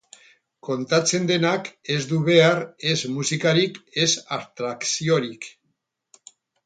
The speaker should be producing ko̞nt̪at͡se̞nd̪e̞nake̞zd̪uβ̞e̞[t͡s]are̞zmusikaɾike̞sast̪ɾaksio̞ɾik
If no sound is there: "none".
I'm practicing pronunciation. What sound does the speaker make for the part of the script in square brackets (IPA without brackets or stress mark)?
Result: none